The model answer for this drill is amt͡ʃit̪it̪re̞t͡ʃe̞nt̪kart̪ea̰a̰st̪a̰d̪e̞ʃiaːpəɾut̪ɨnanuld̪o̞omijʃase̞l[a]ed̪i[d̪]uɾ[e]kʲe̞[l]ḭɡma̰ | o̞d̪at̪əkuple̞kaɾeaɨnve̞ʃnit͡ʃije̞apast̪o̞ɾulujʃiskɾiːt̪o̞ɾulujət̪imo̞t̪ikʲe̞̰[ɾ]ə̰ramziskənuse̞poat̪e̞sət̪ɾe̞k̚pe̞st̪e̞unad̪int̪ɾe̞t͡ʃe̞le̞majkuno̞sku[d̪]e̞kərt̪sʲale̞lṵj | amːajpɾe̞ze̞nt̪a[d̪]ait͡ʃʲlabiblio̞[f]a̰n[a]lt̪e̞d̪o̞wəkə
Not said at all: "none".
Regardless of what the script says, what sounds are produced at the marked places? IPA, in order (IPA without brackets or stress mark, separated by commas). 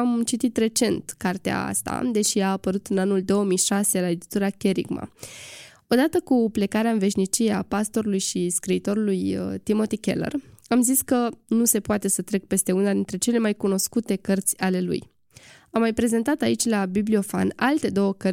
a, t̪, a, ɾ, l, t̪, t̪, f, a